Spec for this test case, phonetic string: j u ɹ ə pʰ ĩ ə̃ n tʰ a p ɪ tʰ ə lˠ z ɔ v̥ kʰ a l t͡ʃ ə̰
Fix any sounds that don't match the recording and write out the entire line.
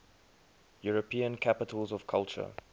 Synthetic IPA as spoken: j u ɹ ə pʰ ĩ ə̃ n kʰ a p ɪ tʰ ə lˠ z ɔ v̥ kʰ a l t͡ʃ ə̰